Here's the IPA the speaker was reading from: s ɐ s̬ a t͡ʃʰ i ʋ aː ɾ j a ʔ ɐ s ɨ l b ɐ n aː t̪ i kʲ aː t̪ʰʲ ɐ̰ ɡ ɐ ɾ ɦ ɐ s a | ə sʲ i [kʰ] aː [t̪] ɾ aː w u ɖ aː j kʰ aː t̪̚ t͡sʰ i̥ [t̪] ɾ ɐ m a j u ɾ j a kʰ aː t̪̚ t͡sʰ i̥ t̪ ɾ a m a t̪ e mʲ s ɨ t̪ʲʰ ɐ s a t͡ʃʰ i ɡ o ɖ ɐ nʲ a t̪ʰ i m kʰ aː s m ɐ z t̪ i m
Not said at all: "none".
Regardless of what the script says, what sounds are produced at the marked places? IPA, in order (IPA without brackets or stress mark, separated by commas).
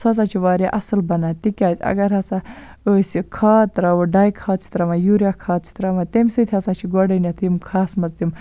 kʰ, t̪, t̪